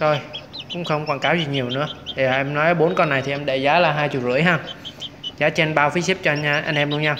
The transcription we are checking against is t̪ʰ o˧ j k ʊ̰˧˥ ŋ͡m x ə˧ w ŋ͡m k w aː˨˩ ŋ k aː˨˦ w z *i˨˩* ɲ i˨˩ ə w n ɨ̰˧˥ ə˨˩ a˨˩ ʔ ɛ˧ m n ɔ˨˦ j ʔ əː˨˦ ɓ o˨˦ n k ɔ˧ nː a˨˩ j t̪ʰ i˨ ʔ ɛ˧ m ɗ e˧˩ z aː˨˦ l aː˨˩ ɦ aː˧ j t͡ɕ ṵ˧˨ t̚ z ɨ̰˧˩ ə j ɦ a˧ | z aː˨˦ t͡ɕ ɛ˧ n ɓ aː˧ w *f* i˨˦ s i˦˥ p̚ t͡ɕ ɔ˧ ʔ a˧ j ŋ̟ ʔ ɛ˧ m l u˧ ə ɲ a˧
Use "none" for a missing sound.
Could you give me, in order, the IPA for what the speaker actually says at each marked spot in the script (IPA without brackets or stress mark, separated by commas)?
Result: i˨˩, f